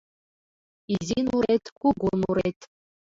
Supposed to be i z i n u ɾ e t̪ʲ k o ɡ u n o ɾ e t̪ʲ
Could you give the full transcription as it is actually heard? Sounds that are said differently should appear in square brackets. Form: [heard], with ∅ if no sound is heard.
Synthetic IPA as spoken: i z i n u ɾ e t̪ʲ k [u] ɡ u n [u] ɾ e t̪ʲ